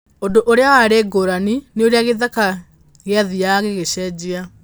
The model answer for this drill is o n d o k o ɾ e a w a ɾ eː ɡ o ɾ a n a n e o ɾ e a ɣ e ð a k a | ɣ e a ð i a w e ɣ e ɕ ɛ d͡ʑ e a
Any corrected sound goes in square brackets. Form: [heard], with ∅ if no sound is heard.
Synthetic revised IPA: o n d o [ʔ] o ɾ e a w a ɾ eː ɡ o ɾ a n [i] n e o ɾ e a ɣ e ð a k a | ɣ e a ð i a [ɣ] e ɣ e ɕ ɛ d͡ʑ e a